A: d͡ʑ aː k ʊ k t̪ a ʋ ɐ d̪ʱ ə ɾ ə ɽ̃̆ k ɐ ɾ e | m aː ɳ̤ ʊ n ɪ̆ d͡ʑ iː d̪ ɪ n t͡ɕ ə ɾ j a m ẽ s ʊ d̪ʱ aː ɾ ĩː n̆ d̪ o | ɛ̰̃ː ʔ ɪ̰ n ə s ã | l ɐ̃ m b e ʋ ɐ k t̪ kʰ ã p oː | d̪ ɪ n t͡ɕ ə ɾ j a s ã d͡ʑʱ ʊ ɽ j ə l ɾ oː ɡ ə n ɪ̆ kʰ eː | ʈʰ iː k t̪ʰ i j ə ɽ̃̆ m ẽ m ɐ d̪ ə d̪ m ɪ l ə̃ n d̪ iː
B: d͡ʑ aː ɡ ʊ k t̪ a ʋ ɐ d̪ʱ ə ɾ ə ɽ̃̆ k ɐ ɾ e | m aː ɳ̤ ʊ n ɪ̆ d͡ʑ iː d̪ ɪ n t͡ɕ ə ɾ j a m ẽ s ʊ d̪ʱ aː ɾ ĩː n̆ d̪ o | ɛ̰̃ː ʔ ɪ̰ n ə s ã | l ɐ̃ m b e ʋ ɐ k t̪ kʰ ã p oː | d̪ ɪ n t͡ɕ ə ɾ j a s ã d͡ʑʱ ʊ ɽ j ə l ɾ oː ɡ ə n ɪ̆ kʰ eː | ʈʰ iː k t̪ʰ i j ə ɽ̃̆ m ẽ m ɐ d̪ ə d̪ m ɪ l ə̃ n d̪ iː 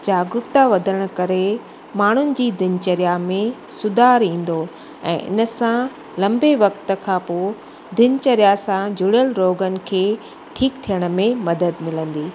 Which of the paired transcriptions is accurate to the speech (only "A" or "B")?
B